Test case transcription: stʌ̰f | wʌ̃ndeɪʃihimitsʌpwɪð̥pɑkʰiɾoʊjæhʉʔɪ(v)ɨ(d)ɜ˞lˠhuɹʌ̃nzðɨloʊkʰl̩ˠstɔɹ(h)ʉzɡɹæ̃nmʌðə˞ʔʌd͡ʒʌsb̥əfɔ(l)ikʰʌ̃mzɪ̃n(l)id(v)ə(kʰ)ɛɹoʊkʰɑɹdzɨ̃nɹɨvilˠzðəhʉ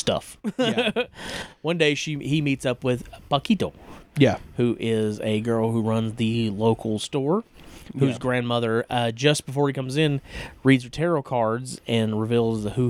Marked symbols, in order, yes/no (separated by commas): no, no, yes, no, no, no, no